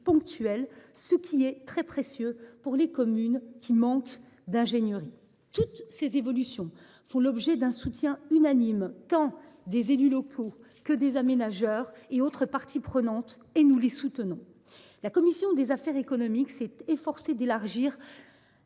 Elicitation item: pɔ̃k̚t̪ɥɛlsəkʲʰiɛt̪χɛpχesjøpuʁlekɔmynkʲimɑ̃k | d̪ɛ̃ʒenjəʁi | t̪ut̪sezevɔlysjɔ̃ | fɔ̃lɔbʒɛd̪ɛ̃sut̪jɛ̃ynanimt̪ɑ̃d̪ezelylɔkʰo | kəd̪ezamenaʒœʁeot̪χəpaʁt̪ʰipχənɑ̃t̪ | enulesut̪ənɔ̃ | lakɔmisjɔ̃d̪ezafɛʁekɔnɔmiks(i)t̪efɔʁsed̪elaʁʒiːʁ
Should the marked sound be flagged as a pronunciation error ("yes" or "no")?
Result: yes